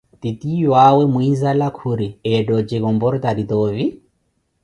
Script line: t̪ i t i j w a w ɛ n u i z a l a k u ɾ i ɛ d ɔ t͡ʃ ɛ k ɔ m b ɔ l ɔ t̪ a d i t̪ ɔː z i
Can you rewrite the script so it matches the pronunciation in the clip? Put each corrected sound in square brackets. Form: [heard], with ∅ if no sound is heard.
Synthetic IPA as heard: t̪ i t i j w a w ɛ [m] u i z a l a [kʰ] u ɾ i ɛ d ɔ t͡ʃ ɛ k ɔ m b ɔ [ɾ] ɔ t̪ a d i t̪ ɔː [v] i